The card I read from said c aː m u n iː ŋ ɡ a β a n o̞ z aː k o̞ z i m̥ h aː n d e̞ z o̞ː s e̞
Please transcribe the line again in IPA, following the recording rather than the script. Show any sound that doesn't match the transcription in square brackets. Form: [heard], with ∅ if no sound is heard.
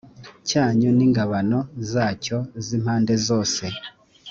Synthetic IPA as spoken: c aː [ɲ] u n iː ŋ ɡ a β a n o̞ z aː [c] o̞ z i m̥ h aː n d e̞ z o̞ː s e̞